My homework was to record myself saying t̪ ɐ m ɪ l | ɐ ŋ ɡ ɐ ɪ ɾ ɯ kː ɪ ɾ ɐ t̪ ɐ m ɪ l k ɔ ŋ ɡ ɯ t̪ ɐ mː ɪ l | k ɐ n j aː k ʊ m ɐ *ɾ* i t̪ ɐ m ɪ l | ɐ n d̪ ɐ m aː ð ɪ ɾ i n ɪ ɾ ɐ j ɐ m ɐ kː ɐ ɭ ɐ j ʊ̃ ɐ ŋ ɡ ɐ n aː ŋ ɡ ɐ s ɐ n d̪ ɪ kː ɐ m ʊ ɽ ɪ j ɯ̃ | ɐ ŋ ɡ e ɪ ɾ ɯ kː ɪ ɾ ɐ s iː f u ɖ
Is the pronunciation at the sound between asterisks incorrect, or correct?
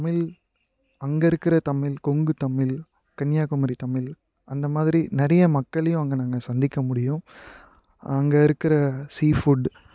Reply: correct